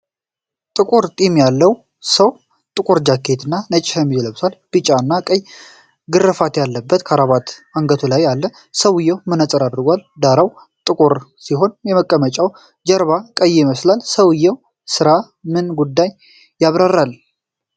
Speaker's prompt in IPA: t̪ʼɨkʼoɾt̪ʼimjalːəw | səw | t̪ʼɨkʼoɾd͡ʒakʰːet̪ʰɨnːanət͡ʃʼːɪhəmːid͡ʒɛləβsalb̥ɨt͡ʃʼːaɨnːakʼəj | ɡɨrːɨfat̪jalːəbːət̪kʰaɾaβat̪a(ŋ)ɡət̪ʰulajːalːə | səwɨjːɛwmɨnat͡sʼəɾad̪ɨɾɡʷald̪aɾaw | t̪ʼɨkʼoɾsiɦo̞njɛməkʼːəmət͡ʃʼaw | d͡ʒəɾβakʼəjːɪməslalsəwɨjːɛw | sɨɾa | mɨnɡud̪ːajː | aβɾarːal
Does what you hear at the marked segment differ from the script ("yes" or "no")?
no